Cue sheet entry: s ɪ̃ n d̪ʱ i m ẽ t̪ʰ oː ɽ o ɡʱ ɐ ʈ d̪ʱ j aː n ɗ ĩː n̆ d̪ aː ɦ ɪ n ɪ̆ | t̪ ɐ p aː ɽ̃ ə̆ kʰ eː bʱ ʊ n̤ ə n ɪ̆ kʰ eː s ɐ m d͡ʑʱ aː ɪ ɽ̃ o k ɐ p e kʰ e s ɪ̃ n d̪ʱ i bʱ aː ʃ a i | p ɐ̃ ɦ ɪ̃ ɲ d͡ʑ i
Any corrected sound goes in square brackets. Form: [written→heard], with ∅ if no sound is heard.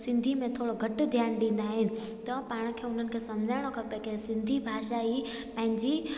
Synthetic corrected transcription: s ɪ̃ n d̪ʱ i m ẽ t̪ʰ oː ɽ o ɡʱ ɐ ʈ d̪ʱ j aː n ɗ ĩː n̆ d̪ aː ɦ ɪ n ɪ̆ | t̪ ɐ p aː ɽ̃ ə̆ kʰ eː [bʱ→∅] ʊ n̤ ə n ɪ̆ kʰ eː s ɐ m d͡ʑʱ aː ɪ ɽ̃ o k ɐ p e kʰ e s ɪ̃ n d̪ʱ i bʱ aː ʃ a i | p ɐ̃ ɦ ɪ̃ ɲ d͡ʑ i